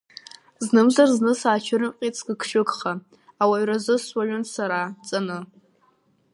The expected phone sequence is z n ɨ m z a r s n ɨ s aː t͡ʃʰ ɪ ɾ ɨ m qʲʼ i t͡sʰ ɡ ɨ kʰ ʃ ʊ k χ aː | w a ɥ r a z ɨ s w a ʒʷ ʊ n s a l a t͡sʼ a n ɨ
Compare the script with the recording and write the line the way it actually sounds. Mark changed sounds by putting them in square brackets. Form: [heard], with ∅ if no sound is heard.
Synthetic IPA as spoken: z n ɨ m z a r [z] n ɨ s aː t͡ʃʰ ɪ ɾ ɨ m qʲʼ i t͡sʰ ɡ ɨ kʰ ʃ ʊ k χ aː | w a ɥ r a z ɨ s w a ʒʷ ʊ n s a [ɾ] a t͡sʼ a n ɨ